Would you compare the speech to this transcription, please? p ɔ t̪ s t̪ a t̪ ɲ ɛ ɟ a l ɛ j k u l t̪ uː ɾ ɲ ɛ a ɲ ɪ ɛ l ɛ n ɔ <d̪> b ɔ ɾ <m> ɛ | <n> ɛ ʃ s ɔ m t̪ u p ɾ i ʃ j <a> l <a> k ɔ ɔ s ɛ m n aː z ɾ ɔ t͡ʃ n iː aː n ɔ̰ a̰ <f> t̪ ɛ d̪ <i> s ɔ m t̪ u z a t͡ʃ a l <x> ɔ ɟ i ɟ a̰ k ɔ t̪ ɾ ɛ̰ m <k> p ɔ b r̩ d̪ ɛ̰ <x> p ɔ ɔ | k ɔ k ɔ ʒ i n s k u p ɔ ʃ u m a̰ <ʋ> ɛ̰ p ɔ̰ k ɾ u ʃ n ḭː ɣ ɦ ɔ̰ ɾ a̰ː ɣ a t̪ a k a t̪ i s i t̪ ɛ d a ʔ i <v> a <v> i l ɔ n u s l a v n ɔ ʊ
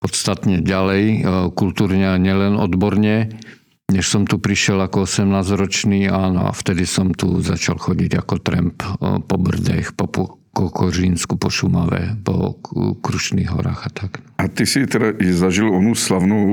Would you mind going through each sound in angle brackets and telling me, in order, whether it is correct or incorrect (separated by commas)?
correct, incorrect, incorrect, incorrect, correct, correct, correct, correct, incorrect, correct, correct, incorrect, incorrect